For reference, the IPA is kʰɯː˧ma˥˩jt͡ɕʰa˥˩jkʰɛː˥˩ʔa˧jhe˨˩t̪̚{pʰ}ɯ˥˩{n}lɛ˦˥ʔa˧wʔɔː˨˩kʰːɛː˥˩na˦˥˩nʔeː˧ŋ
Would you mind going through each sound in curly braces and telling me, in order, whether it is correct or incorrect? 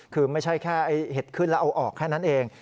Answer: incorrect, correct

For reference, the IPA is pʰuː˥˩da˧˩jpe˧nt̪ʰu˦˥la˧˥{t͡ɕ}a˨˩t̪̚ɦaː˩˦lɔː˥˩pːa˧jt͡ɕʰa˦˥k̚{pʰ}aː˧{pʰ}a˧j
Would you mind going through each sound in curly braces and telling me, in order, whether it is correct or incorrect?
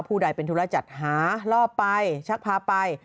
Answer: correct, correct, incorrect

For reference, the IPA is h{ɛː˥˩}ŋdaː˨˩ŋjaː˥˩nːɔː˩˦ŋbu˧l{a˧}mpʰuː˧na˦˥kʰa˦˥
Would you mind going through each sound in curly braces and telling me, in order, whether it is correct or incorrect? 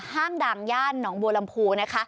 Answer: incorrect, correct

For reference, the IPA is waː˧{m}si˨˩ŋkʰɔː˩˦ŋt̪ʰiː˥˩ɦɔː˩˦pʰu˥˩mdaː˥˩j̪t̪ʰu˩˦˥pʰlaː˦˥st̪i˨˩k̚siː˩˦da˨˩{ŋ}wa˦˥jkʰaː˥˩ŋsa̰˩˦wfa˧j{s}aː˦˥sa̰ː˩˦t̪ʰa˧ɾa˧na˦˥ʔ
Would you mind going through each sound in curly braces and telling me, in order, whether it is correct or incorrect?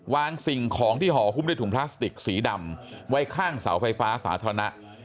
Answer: incorrect, incorrect, incorrect

